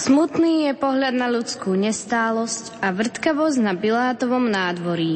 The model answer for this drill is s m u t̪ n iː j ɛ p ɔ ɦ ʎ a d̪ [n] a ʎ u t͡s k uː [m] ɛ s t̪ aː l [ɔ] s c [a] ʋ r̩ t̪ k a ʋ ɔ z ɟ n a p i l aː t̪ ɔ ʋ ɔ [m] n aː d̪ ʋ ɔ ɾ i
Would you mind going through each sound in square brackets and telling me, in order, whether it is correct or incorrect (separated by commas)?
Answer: correct, incorrect, correct, correct, correct